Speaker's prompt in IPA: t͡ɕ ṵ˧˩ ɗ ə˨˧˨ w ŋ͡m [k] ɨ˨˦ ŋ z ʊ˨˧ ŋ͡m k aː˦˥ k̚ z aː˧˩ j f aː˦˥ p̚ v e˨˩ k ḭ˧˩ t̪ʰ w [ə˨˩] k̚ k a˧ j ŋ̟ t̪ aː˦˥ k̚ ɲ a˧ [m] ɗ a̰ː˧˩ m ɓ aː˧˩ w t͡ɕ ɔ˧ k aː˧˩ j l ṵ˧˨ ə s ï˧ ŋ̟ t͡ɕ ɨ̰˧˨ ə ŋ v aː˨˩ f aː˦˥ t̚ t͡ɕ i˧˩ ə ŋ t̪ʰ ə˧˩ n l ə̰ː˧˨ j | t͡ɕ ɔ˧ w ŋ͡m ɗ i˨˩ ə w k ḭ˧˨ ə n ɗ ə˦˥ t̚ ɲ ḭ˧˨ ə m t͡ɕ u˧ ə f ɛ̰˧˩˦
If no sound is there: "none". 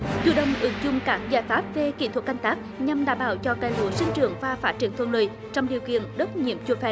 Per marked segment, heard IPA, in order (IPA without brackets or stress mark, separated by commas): ʔ, ə˨˩, m